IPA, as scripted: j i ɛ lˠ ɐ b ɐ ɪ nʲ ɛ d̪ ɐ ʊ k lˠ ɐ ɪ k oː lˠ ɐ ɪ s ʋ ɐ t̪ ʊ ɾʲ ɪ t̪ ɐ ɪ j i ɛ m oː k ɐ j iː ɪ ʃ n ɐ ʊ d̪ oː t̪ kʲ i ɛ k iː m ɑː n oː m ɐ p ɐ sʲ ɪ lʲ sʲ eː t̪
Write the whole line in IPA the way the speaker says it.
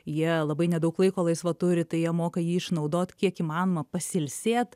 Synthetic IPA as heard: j i ɛ lˠ ɐ b ɐ ɪ nʲ ɛ d̪ ɐ ʊ k lˠ ɐ ɪ k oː lˠ ɐ ɪ s ʋ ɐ t̪ ʊ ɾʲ ɪ t̪ ɐ ɪ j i ɛ m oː k ɐ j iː ɪ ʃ n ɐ ʊ d̪ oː t̪ kʲ i ɛ k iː m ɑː n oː m ɐ p ɐ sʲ ɪ lʲ sʲ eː t̪